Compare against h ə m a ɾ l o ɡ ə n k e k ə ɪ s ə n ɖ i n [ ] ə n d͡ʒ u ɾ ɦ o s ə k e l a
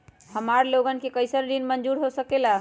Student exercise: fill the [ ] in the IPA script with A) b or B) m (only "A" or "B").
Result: B